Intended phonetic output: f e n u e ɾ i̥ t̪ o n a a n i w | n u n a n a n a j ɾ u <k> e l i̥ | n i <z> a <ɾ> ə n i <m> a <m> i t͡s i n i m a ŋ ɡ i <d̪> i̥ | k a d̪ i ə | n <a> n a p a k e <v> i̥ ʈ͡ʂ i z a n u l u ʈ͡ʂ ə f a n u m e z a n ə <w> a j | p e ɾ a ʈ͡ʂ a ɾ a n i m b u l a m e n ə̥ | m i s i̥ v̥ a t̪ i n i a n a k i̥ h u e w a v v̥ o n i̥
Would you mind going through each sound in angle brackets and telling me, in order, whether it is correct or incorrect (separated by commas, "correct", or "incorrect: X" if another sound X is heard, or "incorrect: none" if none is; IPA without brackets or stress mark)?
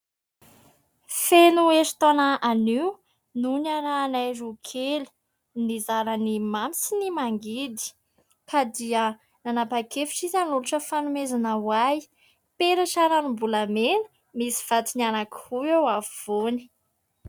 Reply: incorrect: kʰ, correct, correct, correct, correct, correct, correct, incorrect: f, correct